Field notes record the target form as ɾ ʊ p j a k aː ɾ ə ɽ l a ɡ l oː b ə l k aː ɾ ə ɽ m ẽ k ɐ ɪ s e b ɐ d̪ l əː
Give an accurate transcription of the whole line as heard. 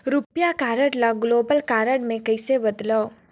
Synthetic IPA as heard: ɾ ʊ p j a k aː ɾ ə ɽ l a ɡ l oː b ə l k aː ɾ ə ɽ m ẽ k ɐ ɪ s e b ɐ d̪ l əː